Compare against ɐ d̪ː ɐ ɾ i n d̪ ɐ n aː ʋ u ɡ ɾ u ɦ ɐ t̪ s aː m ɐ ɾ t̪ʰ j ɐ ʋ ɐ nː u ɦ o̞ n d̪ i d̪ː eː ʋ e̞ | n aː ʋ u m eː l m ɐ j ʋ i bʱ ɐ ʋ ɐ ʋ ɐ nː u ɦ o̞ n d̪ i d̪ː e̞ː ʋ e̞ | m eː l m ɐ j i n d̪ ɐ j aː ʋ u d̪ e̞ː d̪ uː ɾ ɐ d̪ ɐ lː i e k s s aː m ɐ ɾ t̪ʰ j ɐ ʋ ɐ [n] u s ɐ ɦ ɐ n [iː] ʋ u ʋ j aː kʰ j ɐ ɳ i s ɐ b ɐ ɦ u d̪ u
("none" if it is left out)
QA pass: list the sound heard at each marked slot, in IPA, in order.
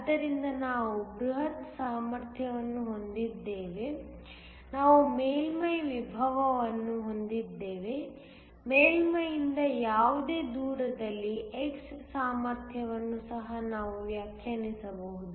nː, aː

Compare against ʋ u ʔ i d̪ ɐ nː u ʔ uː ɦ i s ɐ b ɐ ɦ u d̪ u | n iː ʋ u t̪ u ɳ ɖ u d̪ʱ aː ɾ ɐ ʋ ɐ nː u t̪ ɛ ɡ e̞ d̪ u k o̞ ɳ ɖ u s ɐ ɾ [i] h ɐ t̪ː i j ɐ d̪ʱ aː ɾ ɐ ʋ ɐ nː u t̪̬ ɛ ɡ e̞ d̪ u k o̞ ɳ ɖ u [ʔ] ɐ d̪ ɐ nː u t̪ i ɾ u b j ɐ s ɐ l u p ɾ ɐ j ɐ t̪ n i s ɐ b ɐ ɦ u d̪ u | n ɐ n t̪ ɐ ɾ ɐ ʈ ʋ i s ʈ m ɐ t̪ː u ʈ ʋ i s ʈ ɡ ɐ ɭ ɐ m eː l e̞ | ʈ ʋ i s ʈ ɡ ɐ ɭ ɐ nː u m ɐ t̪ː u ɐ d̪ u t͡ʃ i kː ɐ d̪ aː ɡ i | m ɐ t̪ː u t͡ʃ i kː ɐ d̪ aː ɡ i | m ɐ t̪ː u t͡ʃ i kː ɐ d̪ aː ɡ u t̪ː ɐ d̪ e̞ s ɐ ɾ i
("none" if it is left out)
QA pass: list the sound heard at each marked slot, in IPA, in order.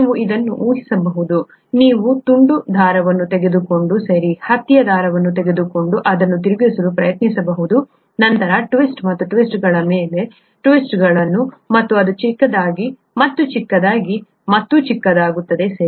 i, ʔ

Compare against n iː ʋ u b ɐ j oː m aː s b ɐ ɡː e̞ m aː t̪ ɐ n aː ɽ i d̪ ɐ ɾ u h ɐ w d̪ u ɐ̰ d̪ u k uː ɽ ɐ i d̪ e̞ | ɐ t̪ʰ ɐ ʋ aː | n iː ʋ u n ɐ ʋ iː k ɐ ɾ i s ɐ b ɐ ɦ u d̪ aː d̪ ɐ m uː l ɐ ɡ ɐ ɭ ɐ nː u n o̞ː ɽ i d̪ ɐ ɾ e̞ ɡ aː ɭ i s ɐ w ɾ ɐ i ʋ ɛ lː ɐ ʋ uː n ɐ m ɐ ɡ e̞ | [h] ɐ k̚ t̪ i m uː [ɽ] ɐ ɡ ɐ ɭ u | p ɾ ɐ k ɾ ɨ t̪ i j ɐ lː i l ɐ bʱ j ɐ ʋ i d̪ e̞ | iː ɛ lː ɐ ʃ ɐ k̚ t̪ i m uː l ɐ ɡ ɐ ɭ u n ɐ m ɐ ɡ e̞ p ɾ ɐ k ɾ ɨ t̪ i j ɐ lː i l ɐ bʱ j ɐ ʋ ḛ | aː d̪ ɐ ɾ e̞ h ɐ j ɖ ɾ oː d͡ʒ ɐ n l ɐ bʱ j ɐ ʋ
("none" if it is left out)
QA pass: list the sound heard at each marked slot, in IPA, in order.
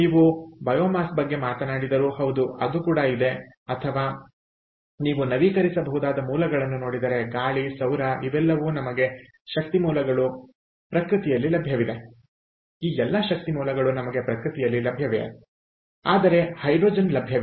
ʃ, l

